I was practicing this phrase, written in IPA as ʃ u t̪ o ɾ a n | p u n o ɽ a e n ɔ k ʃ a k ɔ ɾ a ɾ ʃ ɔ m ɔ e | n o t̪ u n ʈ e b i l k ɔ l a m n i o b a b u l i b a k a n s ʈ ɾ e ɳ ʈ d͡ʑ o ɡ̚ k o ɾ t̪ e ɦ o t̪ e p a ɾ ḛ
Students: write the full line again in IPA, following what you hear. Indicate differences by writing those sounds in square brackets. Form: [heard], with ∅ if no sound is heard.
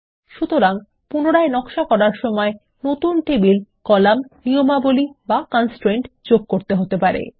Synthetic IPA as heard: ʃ u t̪ o ɾ a [ŋ] | p u n o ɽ a e n ɔ k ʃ a k ɔ ɾ a ɾ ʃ ɔ m ɔ e | n o t̪ u n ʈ e b i l k ɔ l a m n i o [m] a b [o] l i b a k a n s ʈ ɾ e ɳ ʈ d͡ʑ o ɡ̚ k o ɾ t̪ e ɦ o t̪ e p a ɾ ḛ